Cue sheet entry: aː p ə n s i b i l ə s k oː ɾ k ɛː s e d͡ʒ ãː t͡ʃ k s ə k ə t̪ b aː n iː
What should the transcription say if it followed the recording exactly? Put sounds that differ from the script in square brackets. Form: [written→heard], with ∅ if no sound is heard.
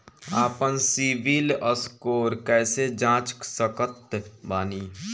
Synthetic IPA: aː p ə n s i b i l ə s k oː ɾ k ɛː s e d͡ʒ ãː t͡ʃ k s ə k ə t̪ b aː n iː